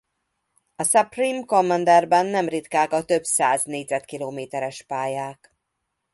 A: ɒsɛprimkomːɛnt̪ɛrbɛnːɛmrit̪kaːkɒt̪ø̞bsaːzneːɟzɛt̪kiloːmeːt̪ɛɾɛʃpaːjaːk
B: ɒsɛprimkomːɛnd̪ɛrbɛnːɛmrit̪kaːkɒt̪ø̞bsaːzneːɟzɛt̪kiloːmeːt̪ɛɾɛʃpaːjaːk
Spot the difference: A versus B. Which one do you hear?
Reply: B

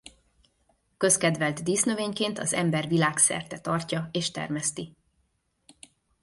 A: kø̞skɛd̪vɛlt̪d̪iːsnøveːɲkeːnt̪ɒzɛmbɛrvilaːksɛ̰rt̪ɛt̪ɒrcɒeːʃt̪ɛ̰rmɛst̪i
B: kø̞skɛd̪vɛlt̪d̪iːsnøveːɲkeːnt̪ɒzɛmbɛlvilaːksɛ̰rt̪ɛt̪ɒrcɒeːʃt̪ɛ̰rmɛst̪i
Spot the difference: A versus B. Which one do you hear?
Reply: A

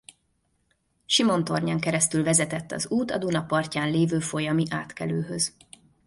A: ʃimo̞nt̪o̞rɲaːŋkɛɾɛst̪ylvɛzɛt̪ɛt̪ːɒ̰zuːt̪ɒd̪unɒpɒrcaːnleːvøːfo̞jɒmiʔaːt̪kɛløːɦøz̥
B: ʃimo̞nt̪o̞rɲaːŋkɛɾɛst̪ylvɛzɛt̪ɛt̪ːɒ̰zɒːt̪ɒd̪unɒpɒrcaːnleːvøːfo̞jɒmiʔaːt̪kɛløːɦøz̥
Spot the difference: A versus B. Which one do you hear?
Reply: A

